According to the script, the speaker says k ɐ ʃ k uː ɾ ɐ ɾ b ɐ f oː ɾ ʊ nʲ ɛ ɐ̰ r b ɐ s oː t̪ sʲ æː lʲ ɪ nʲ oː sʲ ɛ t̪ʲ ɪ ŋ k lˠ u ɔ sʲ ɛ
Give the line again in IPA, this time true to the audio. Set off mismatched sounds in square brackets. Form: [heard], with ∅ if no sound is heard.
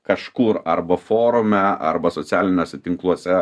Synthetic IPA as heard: k ɐ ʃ k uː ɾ ɐ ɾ b ɐ f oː ɾ ʊ [mʲ] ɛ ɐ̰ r b ɐ s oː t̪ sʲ æː lʲ ɪ nʲ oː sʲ ɛ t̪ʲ ɪ ŋ k lˠ u ɔ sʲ ɛ